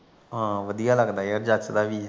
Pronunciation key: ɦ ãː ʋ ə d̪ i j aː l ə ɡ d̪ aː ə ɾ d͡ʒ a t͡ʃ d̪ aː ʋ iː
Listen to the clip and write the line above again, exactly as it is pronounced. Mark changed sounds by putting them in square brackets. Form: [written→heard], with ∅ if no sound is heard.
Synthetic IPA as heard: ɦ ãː ʋ ə d̪ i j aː l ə ɡ d̪ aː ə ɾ d͡ʒ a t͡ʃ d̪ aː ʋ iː